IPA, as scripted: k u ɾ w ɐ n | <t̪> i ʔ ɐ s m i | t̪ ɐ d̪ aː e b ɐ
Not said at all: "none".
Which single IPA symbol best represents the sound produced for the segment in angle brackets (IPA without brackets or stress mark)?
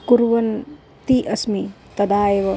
t̪